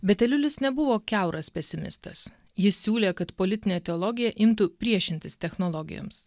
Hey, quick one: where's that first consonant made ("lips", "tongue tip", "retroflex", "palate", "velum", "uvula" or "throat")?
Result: lips